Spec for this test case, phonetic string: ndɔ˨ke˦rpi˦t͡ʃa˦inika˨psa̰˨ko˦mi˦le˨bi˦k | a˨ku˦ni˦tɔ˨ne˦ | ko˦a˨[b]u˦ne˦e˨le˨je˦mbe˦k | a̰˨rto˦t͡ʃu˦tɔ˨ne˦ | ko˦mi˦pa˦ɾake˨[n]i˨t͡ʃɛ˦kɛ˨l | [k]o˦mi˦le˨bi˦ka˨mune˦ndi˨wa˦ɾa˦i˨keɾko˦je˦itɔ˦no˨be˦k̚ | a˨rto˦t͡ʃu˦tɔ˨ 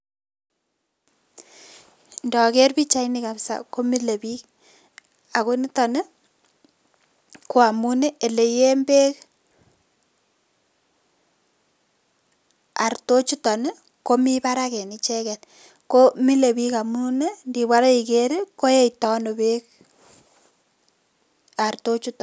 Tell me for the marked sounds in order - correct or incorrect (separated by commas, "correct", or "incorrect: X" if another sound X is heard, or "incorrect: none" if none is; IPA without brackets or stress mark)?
incorrect: m, correct, correct